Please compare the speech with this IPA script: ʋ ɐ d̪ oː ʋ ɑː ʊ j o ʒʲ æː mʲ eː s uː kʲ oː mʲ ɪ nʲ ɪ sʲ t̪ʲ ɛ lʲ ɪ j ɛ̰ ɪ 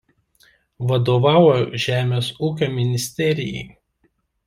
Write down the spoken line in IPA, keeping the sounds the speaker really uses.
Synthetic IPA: ʋ ɐ d̪ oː ʋ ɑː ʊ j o ʒʲ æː mʲ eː s uː kʲ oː mʲ ɪ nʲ ɪ sʲ t̪ʲ ɛ ɾʲ ɪ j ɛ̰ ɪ